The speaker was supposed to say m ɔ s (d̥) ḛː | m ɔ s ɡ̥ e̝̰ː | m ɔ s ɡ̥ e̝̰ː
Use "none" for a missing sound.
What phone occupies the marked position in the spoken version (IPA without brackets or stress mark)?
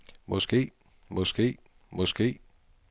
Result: ɡ̥